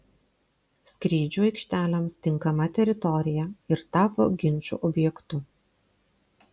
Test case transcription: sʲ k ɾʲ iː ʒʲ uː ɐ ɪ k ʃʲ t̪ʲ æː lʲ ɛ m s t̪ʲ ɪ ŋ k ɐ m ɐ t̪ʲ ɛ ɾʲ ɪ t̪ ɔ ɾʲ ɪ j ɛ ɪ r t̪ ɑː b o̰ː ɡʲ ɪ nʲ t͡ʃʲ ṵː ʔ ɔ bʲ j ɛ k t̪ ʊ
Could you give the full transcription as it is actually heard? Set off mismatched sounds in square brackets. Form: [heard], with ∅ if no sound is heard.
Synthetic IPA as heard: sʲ k ɾʲ iː [d͡ʒʲ] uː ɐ ɪ k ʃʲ t̪ʲ æː lʲ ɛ m s t̪ʲ ɪ ŋ k ɐ m ɐ t̪ʲ ɛ ɾʲ ɪ t̪ ɔ ɾʲ ɪ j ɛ ɪ [ɾ] t̪ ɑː [p] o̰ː ɡʲ ɪ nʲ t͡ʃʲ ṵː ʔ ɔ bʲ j ɛ k t̪ ʊ